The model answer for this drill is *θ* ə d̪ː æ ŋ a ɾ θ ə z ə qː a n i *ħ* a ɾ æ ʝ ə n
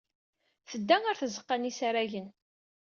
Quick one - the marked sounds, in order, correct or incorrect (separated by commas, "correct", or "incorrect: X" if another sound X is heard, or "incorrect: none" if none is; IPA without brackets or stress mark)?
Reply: correct, incorrect: s